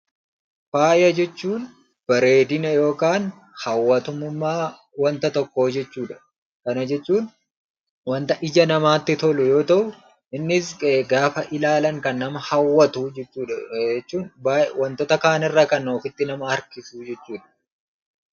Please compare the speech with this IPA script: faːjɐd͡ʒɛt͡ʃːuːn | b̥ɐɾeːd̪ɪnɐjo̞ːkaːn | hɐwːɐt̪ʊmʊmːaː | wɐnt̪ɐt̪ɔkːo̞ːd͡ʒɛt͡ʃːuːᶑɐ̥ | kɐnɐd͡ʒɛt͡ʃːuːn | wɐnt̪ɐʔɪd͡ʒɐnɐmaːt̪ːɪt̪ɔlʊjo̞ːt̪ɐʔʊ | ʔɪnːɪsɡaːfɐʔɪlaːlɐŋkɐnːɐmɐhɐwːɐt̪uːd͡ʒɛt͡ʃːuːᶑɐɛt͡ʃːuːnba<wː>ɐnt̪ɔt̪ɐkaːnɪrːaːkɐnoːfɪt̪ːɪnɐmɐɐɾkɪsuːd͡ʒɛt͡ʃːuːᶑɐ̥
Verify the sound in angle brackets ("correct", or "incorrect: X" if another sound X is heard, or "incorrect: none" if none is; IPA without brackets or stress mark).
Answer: incorrect: w